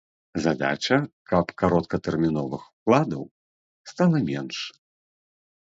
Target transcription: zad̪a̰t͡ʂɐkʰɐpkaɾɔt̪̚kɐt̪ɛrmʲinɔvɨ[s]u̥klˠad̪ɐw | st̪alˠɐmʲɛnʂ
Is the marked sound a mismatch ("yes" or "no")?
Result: yes